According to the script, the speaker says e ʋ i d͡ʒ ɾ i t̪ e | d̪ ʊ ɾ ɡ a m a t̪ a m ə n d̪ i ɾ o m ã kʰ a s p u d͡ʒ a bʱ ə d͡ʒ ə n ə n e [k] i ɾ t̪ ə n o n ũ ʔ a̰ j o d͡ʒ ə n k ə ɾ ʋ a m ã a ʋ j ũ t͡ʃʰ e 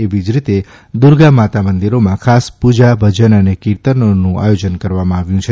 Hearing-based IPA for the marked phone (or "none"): k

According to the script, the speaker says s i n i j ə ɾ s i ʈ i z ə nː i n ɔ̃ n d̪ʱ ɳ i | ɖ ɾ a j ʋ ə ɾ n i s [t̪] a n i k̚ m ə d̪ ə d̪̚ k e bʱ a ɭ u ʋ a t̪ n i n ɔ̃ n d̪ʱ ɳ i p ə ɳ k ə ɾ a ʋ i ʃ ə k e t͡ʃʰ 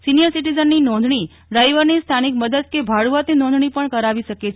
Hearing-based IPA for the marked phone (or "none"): t̪ʰ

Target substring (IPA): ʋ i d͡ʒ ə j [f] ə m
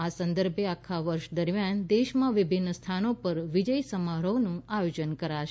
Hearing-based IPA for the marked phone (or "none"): s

